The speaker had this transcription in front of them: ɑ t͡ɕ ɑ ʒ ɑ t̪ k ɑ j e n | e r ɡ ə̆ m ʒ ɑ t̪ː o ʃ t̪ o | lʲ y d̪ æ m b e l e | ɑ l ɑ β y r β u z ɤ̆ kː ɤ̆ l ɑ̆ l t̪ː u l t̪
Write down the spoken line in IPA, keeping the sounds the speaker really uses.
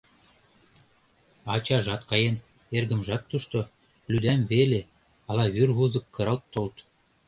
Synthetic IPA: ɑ t͡ɕ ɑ ʒ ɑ t̪ k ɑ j e n | e r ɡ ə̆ m ʒ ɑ t̪ː u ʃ t̪ o | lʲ y d̪ æ m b e l e | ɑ l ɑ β y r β u z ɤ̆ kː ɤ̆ ɾ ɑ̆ l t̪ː o l t̪